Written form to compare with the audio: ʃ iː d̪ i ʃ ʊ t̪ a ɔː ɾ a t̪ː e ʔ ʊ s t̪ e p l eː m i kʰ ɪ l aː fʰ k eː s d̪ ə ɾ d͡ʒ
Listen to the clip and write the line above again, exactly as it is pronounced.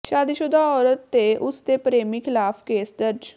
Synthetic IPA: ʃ aː d̪ i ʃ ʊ d̪ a ɔː ɾ ə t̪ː e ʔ ʊ s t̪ e p ɾ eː m i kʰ ɪ l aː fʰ k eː s d̪ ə ɾ d͡ʒ